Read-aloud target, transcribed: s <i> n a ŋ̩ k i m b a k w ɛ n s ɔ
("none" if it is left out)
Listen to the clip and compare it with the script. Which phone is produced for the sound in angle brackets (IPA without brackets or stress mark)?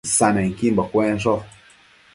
a